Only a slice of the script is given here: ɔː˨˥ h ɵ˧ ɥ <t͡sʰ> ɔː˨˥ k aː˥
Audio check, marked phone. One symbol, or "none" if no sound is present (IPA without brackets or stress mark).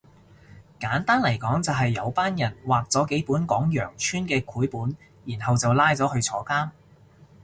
t͡sʰ